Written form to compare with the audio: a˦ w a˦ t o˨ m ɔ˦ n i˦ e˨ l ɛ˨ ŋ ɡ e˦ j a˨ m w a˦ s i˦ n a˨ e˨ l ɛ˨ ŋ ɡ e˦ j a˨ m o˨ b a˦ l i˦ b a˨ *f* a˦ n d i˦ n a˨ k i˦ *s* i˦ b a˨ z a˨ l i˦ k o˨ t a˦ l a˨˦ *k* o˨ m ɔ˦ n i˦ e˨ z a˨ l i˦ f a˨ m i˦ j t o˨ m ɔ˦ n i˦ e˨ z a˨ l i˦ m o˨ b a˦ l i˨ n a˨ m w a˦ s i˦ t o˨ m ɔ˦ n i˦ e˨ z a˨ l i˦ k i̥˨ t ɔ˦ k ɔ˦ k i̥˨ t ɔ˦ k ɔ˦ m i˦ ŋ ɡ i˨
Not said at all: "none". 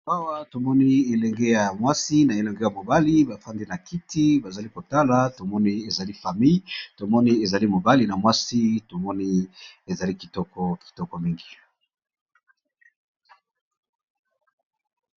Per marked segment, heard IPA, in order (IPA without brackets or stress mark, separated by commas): f, t, t